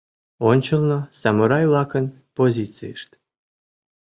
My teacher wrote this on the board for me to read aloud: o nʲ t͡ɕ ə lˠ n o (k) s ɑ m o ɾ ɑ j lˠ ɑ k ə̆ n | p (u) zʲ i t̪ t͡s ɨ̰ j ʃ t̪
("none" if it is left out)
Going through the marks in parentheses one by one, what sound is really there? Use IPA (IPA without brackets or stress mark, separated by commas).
none, o